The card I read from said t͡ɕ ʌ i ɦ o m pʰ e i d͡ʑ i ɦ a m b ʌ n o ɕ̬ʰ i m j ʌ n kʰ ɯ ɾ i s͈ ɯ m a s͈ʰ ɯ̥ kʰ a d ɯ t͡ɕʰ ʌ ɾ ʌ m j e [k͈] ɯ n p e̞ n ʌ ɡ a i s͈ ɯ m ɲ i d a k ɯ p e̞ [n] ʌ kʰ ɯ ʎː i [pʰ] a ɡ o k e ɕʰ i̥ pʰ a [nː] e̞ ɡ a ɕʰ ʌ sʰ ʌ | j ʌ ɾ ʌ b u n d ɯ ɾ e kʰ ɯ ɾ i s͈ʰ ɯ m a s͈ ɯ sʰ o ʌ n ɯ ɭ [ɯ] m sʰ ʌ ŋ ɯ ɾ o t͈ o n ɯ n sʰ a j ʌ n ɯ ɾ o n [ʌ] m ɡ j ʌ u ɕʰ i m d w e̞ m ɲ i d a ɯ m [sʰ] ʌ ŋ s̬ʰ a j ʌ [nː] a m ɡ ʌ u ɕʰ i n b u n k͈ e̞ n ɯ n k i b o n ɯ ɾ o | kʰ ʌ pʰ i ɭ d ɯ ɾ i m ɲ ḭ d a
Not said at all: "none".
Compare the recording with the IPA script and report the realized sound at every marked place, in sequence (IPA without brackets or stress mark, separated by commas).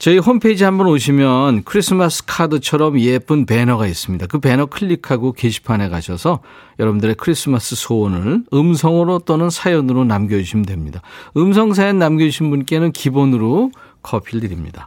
p͈, n, kʰ, n, ɯ, a, sʰ, nː